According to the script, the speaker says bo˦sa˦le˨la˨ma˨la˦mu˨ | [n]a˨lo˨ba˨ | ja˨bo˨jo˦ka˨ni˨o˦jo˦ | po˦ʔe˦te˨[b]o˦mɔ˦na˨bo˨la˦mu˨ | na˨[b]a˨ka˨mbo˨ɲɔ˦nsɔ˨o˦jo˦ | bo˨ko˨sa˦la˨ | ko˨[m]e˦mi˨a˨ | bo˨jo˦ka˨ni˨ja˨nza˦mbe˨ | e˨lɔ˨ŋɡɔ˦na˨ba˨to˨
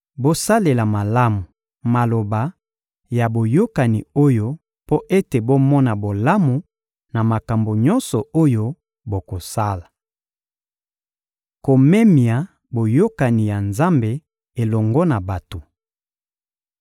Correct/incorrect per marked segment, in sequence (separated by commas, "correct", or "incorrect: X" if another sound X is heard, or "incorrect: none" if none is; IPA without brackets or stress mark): incorrect: m, correct, incorrect: m, correct